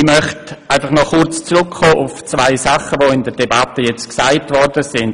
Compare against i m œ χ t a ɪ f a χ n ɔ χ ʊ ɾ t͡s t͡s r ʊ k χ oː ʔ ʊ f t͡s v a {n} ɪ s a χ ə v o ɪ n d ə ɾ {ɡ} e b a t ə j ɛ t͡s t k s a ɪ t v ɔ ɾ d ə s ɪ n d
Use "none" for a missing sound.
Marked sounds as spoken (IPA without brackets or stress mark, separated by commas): none, d